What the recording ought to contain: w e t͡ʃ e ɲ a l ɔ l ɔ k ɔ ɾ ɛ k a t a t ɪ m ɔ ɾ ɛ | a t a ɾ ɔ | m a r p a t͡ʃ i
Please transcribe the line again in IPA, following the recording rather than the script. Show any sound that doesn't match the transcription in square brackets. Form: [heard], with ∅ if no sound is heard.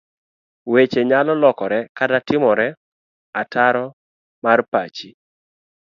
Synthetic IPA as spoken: w e t͡ʃ e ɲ a l ɔ l ɔ k ɔ ɾ ɛ k a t a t ɪ m ɔ ɾ ɛ | a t a ɾ ɔ | m a r p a t͡ʃ i